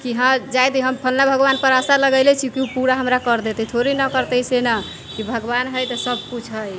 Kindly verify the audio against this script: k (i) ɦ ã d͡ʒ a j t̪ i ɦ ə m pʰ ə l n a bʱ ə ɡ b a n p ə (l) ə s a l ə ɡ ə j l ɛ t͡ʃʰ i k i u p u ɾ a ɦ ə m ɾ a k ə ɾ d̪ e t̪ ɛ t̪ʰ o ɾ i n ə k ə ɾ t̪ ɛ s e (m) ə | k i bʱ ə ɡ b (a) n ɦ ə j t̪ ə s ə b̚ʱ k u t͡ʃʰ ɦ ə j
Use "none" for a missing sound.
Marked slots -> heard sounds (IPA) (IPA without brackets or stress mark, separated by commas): i, ɾ, n, a